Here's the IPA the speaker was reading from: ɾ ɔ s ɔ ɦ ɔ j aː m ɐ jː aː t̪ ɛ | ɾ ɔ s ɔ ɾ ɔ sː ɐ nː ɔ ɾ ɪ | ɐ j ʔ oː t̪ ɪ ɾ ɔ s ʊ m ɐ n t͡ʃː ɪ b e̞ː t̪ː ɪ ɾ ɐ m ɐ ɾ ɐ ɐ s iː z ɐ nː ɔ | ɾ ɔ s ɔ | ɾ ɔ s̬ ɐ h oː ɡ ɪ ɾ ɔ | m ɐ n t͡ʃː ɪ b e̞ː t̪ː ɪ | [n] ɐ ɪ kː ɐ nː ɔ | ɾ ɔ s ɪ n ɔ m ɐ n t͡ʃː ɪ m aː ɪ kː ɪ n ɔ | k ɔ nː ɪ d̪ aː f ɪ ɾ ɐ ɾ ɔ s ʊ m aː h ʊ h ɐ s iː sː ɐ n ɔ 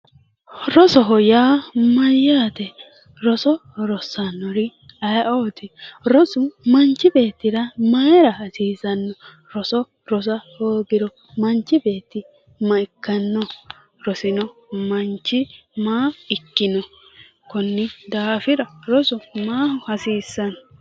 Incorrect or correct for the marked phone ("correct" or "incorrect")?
incorrect